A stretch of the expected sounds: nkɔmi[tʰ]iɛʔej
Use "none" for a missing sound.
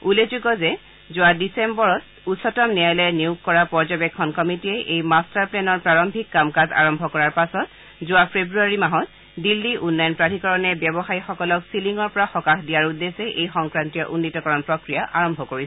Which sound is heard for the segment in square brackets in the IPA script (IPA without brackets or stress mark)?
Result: t